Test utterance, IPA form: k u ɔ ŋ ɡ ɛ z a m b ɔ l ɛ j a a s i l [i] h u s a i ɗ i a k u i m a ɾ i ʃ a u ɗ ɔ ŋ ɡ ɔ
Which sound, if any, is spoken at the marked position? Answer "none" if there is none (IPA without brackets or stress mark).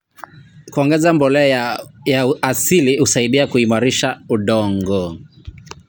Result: i